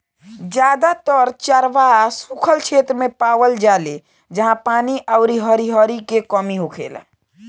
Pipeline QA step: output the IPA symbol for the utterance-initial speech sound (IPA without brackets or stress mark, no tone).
d͡ʒ